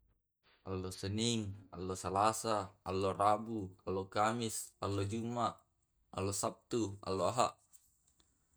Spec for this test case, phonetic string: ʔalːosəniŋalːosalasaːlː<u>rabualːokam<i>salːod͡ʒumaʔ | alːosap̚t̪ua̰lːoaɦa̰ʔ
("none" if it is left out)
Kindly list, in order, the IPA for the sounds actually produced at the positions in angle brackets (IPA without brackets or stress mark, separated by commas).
o, i